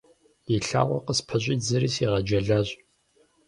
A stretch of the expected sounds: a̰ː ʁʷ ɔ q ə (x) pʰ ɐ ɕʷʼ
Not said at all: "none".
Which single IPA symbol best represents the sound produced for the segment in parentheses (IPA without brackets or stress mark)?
s